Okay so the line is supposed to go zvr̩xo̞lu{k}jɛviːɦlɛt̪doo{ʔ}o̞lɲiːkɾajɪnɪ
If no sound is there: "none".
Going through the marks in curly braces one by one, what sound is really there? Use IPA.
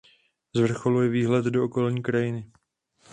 none, k

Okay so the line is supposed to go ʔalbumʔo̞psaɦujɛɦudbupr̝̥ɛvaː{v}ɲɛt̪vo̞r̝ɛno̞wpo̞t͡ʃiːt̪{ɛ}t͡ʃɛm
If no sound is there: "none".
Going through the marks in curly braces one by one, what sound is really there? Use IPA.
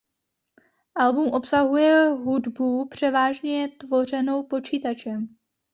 ʒ, a

